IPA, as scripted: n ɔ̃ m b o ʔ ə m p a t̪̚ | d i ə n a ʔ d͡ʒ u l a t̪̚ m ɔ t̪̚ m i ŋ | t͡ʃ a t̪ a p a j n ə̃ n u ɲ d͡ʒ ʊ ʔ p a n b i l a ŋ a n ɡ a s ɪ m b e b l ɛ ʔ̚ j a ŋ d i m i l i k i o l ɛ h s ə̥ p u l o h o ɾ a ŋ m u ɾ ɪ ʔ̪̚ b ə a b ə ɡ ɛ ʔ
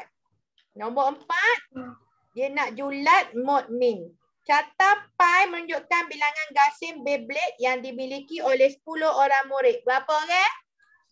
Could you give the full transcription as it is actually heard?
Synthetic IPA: n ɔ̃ m b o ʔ ə m p a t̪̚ | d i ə n a ʔ d͡ʒ u l a t̪̚ m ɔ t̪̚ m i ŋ | t͡ʃ a t̪ a p a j m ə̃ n u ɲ d͡ʒ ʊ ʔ k a n b i l a ŋ a n ɡ a s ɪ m b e b l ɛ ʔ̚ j a ŋ d i m i l i k i o l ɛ h s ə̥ p u l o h o ɾ a ŋ m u ɾ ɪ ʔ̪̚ b ə a p ə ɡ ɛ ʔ